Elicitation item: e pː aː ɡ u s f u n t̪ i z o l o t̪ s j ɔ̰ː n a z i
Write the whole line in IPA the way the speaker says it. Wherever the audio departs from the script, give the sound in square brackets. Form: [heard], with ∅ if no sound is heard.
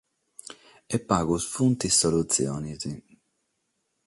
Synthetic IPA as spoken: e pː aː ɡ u s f u n t̪ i [s] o l [u] t̪ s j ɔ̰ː n [i] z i